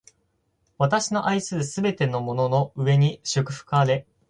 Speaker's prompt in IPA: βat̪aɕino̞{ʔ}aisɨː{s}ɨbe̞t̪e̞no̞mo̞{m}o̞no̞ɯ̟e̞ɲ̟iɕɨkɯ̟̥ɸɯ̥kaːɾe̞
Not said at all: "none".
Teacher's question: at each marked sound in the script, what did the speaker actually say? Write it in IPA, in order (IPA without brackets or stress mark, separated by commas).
ʔ, s, n